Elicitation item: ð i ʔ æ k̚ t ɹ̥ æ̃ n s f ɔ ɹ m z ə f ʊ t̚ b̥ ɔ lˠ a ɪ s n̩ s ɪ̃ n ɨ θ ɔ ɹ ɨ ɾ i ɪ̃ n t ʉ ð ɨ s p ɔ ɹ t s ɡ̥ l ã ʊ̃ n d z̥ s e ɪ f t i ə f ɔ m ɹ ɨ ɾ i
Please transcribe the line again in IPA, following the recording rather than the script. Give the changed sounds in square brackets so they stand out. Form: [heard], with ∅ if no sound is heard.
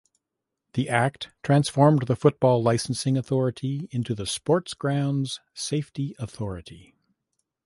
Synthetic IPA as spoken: ð i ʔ æ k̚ [tʰ] ɹ̥ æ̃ n s f ɔ ɹ m [ð] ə f ʊ t̚ b̥ ɔ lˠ a ɪ s n̩ s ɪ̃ [ŋ] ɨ θ ɔ ɹ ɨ ɾ i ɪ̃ n t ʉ ð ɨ s p ɔ ɹ t s ɡ̥ [ɹ] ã ʊ̃ n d z̥ s e ɪ f t i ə [θ] ɔ [∅] ɹ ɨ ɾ i